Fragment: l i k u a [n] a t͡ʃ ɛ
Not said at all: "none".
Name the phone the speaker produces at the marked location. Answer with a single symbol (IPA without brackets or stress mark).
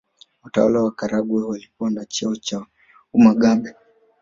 n